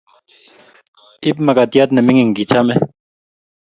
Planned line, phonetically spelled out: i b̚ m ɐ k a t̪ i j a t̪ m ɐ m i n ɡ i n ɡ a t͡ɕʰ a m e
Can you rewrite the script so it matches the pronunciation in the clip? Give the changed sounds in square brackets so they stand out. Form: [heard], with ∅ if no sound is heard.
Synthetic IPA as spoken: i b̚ m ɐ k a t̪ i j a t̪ [n] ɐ m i [ŋ] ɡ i [ŋ] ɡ [i] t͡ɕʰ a m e